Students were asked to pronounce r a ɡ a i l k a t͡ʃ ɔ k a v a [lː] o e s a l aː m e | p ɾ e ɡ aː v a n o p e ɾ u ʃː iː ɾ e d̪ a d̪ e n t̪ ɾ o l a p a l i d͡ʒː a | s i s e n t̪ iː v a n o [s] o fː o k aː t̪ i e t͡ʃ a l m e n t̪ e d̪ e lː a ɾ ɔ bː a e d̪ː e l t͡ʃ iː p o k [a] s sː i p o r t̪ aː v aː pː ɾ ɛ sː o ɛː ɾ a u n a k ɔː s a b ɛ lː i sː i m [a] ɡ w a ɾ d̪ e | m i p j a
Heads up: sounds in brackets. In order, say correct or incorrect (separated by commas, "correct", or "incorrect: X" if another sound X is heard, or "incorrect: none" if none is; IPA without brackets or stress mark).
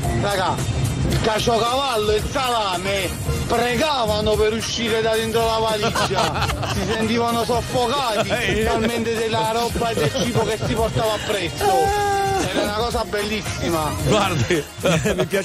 correct, correct, incorrect: e, correct